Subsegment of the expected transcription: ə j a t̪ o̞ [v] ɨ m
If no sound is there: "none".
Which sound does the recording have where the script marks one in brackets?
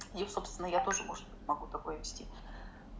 ʐ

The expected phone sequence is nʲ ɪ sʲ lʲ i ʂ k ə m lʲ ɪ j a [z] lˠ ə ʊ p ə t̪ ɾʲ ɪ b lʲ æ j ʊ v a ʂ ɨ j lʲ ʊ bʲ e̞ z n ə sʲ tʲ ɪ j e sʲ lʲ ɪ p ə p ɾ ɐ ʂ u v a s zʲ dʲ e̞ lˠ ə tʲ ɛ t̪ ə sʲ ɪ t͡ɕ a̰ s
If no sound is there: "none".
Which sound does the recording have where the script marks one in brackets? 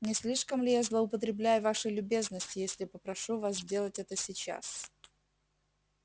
z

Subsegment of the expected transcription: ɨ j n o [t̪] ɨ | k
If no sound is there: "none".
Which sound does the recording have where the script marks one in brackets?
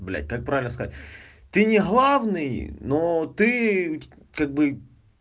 t̪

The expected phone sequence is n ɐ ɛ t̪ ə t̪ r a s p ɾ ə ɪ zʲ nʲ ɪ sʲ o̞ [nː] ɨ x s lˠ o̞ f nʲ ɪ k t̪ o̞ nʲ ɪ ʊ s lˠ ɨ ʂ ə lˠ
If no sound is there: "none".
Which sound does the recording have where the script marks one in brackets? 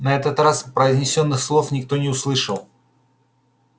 nː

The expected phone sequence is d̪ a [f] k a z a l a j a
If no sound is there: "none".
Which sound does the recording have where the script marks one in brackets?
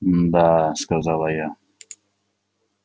s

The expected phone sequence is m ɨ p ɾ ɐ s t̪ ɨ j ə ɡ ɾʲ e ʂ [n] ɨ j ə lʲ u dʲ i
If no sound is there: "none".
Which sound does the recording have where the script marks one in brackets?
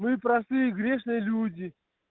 n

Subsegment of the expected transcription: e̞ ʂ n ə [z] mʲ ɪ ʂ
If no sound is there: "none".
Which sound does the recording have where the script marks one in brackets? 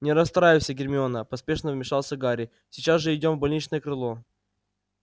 v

